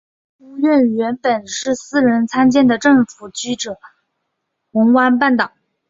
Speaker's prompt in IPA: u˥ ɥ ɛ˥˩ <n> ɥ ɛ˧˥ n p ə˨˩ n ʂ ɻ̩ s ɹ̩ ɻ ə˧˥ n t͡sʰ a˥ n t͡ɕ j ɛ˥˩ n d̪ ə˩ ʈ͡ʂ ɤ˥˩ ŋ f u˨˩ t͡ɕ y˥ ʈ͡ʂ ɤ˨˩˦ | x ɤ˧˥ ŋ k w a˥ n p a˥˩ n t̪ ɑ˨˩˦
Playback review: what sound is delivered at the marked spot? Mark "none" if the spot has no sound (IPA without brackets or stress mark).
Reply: n